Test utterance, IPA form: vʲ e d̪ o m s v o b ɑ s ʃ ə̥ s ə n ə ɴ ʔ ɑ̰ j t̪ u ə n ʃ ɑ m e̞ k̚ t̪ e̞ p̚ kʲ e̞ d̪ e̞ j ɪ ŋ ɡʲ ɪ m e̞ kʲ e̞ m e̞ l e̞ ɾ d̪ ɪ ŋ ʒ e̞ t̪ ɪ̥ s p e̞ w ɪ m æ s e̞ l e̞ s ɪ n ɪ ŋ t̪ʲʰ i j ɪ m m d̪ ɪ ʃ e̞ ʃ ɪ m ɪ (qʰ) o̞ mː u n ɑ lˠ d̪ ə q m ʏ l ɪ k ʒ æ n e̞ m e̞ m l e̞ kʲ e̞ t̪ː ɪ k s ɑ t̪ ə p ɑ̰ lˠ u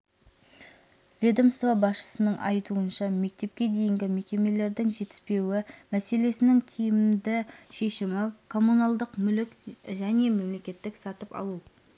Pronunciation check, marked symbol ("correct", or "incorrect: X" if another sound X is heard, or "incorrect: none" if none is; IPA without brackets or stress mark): incorrect: kʰ